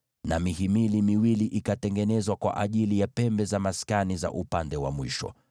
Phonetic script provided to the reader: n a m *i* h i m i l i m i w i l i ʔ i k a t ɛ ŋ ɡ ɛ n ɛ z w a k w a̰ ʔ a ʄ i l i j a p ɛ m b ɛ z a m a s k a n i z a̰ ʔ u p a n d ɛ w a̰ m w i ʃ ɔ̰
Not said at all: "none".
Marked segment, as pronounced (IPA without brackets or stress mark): i